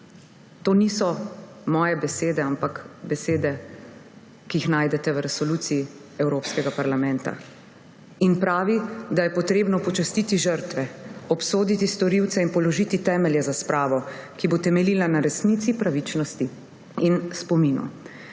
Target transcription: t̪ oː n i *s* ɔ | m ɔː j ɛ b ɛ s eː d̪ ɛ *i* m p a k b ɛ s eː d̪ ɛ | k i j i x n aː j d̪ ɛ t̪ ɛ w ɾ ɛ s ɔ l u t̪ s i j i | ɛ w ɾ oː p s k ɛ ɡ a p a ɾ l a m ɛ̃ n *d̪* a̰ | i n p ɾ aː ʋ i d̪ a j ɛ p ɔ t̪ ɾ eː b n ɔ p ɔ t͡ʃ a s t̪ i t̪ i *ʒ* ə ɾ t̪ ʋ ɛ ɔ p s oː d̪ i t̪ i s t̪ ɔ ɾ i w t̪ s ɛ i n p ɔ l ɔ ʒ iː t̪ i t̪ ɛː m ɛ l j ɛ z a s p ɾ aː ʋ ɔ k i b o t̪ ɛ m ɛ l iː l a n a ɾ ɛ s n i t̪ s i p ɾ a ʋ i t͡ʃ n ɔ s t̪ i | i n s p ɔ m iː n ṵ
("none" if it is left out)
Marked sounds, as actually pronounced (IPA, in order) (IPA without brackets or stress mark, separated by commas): s, a, t̪, ʒ